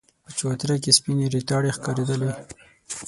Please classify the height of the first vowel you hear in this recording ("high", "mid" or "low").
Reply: mid